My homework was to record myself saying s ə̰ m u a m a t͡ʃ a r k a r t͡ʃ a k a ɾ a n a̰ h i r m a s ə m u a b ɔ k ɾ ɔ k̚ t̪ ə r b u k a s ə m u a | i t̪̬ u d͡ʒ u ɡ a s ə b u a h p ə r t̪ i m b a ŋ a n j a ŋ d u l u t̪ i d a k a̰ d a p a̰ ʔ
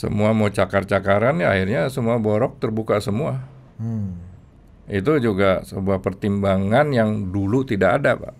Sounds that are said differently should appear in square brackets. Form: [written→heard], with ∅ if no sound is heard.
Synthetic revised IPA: s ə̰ m u a m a t͡ʃ a [r→∅] k a r t͡ʃ a k a ɾ a n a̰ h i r [m→ɲ] a s ə m u a b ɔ [k→∅] ɾ ɔ k̚ t̪ ə r b u k a s ə m u a | i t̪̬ u d͡ʒ u ɡ a s ə b u a h p ə r t̪ i m b a ŋ a n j a ŋ d u l u t̪ i d a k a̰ d a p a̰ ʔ